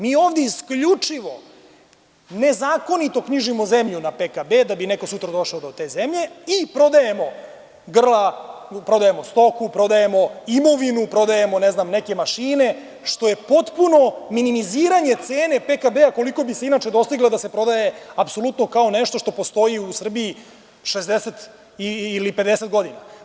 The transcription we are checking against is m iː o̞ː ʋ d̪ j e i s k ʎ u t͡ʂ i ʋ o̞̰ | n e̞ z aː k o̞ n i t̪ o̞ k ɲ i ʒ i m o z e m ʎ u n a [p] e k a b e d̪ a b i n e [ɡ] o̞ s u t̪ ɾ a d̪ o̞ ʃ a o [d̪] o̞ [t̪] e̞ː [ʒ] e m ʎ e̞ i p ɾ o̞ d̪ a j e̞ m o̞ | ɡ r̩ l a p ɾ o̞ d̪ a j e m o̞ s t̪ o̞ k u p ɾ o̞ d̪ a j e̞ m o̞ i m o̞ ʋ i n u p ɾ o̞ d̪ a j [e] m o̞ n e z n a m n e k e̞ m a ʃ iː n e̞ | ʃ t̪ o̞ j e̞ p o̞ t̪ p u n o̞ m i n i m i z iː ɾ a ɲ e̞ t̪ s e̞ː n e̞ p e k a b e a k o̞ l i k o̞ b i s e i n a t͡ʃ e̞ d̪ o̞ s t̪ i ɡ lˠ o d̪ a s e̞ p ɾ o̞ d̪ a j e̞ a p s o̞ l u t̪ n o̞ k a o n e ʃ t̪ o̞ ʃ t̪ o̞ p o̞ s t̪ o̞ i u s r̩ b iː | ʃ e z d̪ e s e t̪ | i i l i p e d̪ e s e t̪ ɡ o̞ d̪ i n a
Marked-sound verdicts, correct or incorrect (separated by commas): correct, incorrect, correct, correct, incorrect, correct